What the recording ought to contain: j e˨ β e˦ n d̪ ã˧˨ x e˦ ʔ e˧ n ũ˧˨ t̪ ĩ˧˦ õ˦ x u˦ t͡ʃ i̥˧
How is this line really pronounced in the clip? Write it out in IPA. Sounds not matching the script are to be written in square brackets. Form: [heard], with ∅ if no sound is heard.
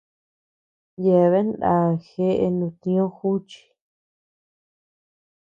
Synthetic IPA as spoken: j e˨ β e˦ n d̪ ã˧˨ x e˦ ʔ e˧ n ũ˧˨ t̪ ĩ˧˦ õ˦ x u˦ t͡ʃ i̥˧